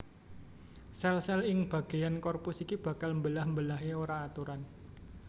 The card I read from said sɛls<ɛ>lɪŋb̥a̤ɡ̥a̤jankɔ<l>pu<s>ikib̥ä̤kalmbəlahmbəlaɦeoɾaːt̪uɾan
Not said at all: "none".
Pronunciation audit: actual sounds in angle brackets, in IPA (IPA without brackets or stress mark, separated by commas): ɛ, r, s